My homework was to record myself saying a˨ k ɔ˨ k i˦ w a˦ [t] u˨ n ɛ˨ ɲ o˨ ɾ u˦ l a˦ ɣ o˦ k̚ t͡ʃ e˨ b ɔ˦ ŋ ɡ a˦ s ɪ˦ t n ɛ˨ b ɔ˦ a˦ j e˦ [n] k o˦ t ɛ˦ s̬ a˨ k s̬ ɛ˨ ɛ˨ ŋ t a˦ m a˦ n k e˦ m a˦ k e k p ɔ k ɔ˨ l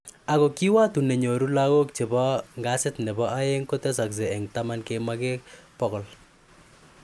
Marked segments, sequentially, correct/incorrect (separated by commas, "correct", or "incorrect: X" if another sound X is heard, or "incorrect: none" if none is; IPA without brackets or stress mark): correct, incorrect: ŋ